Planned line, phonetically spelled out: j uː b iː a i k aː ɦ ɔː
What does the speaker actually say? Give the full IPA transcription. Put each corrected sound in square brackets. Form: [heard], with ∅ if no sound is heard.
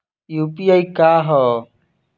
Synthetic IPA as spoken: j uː [p] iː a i k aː ɦ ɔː